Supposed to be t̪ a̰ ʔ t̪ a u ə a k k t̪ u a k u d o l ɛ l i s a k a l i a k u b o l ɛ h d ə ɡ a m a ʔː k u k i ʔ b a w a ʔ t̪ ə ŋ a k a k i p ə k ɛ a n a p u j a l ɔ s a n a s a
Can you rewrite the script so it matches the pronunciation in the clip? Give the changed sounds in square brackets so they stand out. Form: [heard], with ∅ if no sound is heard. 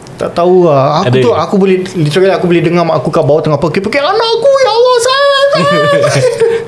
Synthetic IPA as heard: t̪ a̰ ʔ t̪ a u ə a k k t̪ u a k u [b] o l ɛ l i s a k a l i a k u b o l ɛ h d ə [ŋ] a m a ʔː k u k [a] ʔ b a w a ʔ t̪ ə ŋ a [p] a k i p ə k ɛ a n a [k] u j a l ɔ s a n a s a